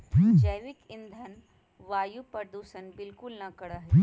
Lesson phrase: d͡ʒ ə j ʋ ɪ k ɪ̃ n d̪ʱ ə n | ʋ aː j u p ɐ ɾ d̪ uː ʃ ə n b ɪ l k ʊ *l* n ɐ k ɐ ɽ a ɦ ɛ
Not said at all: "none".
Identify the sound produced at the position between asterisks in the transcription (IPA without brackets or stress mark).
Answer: l